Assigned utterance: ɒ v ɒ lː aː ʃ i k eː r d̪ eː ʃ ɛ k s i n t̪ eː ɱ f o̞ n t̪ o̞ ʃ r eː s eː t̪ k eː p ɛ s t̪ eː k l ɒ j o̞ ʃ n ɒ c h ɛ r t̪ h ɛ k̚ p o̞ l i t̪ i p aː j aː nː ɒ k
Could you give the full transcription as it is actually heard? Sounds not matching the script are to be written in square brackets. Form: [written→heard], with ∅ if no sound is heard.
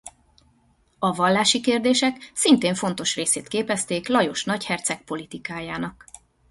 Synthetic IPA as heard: ɒ v ɒ lː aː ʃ i k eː r d̪ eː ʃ ɛ k s i n t̪ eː ɱ f o̞ n t̪ o̞ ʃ r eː s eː t̪ k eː p ɛ s t̪ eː k l ɒ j o̞ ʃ n ɒ c h ɛ r t̪ [h→s] ɛ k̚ p o̞ l i t̪ i [p→k] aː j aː [nː→n] ɒ k

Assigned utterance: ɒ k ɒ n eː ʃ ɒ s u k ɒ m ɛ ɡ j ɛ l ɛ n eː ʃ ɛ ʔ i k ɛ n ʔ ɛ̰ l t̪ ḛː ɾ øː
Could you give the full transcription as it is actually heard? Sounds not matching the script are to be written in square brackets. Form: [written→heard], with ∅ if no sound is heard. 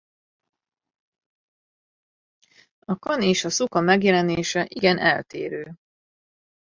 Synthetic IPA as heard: ɒ k ɒ n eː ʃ ɒ s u k ɒ m ɛ ɡ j ɛ l ɛ n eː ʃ ɛ ʔ i [k→ɡ] ɛ n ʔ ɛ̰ l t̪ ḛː ɾ øː

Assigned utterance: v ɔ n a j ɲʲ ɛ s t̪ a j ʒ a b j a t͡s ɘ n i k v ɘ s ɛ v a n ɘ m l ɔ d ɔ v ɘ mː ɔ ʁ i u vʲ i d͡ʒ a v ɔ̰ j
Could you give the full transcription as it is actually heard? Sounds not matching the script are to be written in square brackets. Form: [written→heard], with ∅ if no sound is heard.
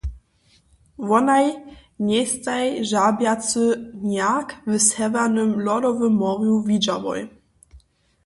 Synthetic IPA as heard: v ɔ n a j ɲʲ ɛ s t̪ a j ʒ a b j a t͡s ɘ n [i→a] k v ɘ s ɛ v a n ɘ m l ɔ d ɔ v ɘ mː ɔ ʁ [i→j] u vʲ i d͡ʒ a v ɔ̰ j

